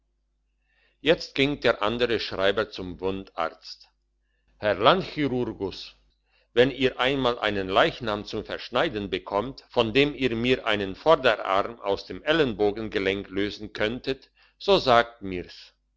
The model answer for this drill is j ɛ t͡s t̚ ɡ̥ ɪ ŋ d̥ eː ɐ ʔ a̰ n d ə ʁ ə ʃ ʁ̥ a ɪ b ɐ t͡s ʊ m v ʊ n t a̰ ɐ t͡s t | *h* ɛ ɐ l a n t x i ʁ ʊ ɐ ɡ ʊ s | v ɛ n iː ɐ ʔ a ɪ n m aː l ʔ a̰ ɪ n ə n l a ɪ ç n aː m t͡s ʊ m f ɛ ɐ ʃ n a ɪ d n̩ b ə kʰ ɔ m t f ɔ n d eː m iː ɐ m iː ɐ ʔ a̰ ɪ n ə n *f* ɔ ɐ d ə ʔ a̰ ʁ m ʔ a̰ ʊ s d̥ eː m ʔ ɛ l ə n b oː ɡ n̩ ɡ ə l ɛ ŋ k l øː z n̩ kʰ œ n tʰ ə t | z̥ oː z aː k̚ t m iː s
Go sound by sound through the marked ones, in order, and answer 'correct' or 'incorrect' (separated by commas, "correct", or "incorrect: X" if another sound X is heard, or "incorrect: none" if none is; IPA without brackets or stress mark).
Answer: correct, correct